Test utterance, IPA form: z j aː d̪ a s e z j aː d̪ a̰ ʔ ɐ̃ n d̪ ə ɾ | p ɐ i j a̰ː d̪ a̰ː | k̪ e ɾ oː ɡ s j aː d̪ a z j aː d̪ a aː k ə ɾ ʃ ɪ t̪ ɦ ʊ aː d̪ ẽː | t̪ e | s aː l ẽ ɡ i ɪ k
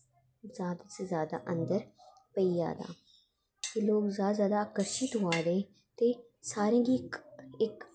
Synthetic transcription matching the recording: z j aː d̪ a s e z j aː d̪ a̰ ʔ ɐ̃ n d̪ ə ɾ | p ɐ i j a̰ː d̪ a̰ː | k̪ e l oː ɡ z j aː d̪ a z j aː d̪ a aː k ə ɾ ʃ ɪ t̪ ɦ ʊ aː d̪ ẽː | t̪ e | s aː ɾ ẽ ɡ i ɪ k